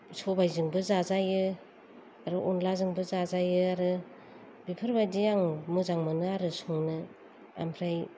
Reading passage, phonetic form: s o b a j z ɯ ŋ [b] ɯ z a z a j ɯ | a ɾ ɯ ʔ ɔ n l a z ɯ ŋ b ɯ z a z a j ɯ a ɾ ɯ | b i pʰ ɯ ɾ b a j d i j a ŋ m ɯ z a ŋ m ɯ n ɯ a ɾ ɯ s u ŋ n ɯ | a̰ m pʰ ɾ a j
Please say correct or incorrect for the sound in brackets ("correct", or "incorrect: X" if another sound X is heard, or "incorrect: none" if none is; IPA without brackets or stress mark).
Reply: correct